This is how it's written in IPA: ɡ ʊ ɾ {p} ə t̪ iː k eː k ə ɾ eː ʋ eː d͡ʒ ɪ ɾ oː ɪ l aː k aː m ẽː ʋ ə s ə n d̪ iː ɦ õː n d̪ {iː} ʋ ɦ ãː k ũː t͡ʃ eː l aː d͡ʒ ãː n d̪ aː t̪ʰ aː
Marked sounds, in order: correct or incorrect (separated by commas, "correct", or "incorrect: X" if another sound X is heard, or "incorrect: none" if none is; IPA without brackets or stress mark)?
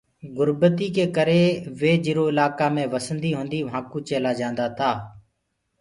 incorrect: b, correct